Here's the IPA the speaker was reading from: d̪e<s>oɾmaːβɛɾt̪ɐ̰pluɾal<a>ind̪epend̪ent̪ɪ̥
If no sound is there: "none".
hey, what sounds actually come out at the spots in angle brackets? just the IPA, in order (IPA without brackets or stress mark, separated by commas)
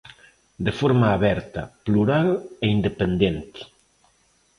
f, e